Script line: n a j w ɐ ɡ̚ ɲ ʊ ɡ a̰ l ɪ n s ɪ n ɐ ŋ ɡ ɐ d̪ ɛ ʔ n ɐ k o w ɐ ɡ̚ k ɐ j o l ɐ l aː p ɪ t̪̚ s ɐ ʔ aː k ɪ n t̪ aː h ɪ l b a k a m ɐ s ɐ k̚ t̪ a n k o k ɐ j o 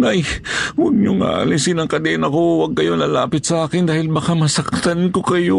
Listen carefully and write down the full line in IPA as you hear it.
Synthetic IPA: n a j w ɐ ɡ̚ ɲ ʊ ŋ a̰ l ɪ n s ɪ n ɐ ŋ k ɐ d̪ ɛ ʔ n ɐ k o w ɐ ɡ̚ k ɐ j o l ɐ l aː p ɪ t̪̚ s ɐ ʔ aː k ɪ n d̪ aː h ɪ l b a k a m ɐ s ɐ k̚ t̪ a n k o k ɐ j o